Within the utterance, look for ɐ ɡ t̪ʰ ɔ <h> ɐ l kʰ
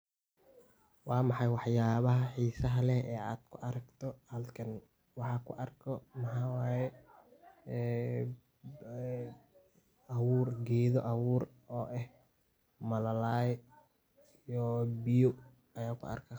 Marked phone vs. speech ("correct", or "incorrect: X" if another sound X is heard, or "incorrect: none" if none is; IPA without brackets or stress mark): correct